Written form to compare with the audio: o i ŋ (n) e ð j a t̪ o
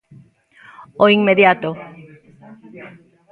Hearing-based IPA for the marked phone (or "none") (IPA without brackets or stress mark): m